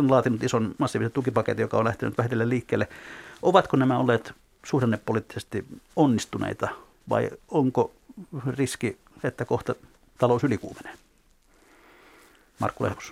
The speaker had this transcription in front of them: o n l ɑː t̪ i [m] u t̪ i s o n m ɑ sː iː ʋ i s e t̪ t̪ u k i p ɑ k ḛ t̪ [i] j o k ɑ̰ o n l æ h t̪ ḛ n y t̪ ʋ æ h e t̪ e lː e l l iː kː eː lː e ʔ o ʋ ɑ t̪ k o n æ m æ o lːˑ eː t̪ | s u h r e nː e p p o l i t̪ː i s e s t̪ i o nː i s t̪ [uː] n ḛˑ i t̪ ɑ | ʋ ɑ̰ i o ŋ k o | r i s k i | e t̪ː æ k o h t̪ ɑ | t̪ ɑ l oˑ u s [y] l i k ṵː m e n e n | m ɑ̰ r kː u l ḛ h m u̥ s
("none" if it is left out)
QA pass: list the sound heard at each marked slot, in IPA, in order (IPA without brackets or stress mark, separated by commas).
n, i, u, y